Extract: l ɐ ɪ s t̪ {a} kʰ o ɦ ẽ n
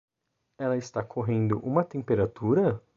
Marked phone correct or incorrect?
correct